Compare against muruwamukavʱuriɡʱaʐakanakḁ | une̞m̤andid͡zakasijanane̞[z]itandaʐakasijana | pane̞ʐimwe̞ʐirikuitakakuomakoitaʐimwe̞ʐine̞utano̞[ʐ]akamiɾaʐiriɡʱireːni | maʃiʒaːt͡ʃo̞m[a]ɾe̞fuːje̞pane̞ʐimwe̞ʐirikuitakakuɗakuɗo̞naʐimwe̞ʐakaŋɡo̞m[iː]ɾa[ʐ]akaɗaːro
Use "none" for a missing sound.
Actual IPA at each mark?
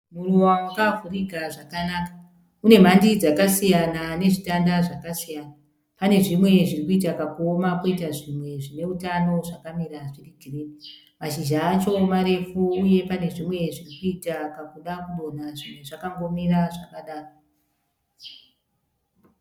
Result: ʐ, ʐ, a, i, ʐ

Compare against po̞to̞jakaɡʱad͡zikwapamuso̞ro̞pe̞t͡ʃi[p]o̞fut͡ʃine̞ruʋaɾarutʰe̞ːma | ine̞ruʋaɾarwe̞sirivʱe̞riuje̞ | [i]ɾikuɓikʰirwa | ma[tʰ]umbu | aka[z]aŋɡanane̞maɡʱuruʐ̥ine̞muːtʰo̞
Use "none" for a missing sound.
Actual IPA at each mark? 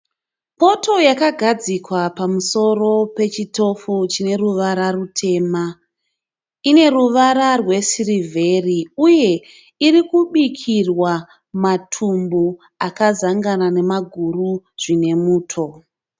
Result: t, i, tʰ, z

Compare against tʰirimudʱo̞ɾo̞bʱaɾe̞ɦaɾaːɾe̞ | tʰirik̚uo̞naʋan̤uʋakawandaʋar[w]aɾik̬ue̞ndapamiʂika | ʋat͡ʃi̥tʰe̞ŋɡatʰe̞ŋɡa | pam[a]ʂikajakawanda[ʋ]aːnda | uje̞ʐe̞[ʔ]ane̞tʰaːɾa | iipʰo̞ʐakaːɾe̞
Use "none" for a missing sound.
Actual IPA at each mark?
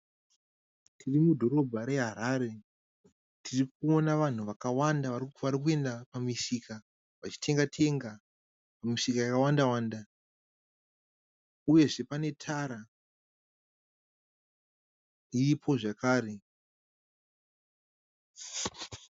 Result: ʋ, i, w, p

